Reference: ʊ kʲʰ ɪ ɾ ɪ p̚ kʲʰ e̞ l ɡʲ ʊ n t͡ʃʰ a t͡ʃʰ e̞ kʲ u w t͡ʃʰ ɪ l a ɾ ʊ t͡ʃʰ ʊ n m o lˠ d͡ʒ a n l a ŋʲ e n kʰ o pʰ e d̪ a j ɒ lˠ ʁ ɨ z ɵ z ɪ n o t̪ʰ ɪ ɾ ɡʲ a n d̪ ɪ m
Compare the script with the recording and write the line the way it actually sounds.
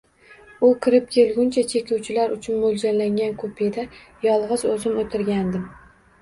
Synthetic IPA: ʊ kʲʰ ɪ ɾ ɪ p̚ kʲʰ e̞ l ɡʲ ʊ n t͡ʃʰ a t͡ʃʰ e̞ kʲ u w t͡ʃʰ ɪ l a ɾ ʊ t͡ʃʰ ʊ n m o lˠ d͡ʒ a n l a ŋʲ a n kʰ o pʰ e d̪ a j ɒ lˠ ʁ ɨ z ɵ z ɪ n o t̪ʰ ɪ ɾ ɡʲ a n d̪ ɪ m